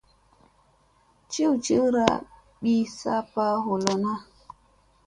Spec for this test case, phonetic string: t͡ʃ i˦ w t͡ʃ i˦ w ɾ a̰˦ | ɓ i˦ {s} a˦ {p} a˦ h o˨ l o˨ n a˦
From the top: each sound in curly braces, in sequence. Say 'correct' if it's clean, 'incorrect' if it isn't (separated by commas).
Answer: correct, correct